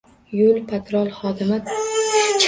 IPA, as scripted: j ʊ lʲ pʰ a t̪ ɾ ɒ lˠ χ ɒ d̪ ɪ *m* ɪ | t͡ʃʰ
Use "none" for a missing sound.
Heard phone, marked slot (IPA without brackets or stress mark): m